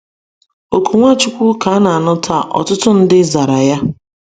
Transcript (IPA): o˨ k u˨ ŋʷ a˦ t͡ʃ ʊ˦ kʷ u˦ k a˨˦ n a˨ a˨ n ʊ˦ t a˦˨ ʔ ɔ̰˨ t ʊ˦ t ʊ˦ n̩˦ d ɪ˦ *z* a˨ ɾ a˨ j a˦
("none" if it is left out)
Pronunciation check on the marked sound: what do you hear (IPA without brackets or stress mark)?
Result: z